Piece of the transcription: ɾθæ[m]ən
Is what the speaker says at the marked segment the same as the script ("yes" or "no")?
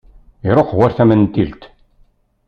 yes